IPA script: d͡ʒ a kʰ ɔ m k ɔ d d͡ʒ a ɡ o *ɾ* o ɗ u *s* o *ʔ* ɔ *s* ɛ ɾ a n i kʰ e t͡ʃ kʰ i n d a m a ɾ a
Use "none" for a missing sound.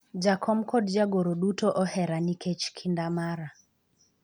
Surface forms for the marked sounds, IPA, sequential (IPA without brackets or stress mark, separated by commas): ɾ, t, ʔ, h